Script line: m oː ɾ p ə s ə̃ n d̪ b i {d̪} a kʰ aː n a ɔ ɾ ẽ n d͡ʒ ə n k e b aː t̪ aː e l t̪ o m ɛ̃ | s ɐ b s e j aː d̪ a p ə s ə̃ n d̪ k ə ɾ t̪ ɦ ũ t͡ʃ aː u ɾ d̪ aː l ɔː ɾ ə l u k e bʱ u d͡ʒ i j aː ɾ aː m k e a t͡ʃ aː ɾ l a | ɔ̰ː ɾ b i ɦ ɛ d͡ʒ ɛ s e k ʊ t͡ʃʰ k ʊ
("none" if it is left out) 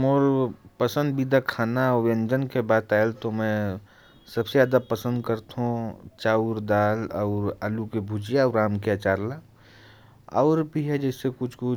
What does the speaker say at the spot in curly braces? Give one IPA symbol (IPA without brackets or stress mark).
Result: d̪